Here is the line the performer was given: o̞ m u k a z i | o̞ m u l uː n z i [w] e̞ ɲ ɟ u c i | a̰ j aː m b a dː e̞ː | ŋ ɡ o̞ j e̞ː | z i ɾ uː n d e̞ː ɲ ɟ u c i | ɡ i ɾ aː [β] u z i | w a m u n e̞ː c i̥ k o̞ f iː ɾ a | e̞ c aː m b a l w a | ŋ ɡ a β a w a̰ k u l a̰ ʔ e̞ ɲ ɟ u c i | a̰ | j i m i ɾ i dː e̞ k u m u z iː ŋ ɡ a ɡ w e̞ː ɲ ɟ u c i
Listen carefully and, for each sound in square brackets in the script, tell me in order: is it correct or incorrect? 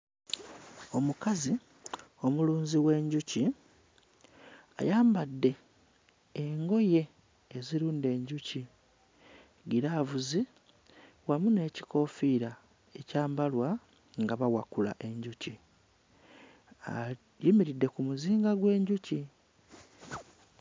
correct, incorrect

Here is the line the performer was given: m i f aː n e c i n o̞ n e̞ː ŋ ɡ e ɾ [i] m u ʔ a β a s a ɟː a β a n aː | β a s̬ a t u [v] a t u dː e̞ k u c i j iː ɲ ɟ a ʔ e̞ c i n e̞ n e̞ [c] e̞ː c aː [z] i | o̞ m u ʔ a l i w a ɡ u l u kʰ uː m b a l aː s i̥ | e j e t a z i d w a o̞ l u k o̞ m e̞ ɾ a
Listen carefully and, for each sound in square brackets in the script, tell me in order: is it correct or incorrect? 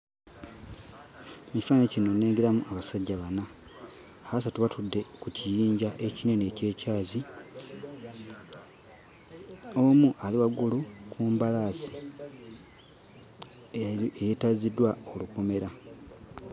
incorrect, incorrect, correct, correct

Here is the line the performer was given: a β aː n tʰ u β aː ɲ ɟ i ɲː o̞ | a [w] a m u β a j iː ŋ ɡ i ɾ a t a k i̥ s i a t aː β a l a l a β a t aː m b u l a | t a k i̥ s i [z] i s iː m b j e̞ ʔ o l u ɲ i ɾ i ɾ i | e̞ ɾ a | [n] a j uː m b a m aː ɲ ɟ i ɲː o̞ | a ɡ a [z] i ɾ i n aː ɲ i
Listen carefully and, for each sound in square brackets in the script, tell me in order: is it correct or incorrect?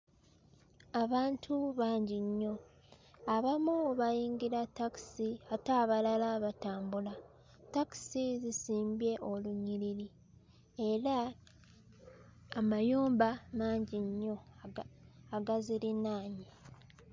incorrect, correct, incorrect, correct

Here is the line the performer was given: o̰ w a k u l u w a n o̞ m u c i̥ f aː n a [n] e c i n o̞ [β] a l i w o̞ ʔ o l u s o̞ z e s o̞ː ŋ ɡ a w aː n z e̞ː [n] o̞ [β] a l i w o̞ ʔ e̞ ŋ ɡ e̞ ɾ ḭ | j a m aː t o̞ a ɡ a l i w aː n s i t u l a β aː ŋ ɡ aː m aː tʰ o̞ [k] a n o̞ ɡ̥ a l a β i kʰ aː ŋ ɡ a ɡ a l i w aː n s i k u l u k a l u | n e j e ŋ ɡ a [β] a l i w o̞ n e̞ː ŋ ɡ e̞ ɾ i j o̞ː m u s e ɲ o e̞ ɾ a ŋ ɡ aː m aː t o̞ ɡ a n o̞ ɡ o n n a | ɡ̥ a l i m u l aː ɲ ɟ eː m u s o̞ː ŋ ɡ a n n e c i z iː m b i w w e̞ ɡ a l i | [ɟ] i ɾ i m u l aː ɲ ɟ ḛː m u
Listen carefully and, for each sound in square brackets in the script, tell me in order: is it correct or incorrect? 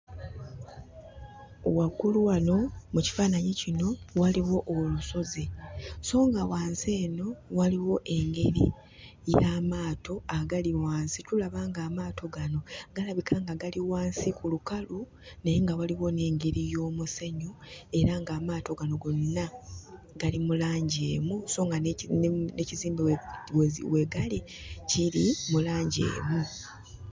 incorrect, incorrect, correct, incorrect, incorrect, incorrect, incorrect

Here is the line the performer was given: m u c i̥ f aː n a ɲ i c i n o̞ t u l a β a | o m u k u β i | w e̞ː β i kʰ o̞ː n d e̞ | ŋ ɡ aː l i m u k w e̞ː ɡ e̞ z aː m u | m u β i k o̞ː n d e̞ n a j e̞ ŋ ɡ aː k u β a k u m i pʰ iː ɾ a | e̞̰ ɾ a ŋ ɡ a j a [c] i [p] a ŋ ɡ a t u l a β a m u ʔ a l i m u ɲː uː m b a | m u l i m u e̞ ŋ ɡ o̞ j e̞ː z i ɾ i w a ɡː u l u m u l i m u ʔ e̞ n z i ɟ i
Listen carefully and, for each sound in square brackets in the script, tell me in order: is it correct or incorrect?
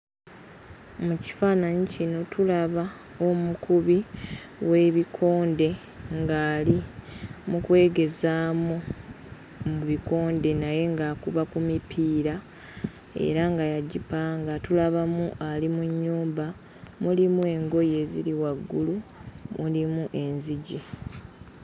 incorrect, correct

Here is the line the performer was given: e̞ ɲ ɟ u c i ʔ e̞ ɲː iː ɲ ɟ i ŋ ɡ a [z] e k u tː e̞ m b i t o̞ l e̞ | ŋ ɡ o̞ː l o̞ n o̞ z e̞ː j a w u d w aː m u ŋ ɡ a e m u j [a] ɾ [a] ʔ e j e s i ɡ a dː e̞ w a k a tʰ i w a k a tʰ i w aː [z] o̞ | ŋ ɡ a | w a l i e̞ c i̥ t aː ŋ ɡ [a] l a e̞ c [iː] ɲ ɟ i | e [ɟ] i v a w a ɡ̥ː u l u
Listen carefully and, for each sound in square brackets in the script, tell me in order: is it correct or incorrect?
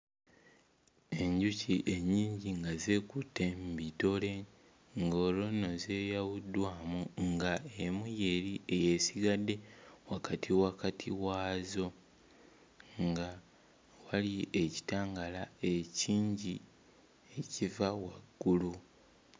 correct, incorrect, incorrect, correct, correct, correct, incorrect

